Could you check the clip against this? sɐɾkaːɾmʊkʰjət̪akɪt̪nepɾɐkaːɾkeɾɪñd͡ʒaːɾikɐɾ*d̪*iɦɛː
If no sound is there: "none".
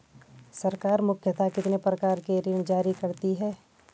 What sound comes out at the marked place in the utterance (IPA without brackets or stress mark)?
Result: t̪